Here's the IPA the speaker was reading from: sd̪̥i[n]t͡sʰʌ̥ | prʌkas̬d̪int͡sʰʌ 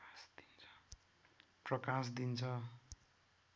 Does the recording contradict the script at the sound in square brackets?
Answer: no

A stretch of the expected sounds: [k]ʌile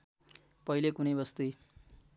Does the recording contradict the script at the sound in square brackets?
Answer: yes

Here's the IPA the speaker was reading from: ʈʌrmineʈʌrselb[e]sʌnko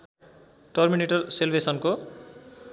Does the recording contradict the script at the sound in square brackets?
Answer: no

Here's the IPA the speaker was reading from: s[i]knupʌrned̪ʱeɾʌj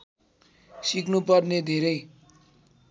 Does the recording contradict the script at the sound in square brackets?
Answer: no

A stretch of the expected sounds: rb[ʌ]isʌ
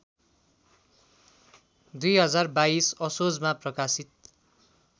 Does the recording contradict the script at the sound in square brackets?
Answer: yes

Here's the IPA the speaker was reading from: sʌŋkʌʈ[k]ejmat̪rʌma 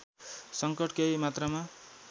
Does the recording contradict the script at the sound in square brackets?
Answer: no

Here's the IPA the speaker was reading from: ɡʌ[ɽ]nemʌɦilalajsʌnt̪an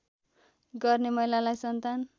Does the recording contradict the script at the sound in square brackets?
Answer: yes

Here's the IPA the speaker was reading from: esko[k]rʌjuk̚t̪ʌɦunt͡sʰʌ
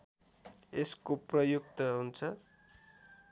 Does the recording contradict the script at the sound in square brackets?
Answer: yes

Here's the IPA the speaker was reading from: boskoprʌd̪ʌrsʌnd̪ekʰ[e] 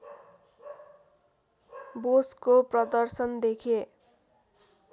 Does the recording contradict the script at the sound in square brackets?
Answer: no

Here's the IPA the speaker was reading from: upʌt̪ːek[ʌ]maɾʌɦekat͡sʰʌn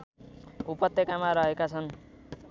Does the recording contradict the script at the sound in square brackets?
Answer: yes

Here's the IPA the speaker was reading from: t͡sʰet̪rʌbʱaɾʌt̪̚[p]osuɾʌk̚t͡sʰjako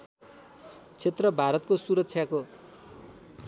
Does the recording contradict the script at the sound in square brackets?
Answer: yes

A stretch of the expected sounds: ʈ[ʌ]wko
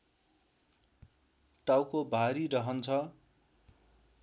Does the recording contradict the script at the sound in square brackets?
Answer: yes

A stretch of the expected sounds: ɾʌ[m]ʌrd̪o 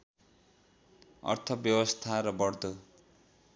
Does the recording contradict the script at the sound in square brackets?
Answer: yes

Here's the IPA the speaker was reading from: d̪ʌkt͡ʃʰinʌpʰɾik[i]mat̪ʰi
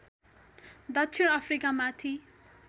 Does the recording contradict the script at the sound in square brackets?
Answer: yes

